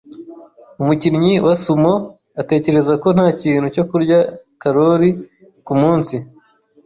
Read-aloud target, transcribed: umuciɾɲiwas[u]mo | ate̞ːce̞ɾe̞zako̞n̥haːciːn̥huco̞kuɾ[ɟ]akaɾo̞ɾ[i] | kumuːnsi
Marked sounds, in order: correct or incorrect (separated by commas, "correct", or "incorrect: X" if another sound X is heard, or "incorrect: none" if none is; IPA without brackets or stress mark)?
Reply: correct, correct, correct